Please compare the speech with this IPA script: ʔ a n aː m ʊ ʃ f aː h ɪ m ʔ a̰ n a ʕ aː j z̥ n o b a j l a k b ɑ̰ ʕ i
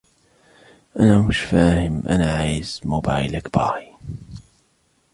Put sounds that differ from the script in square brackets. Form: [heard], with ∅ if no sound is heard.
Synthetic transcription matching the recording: ʔ a n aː m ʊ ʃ f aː h ɪ m ʔ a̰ n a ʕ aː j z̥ [m] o b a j l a k b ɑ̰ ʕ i